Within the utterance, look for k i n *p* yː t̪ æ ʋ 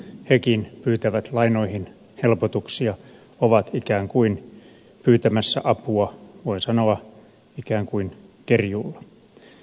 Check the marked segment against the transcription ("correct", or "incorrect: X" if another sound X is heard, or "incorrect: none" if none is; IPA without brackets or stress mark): correct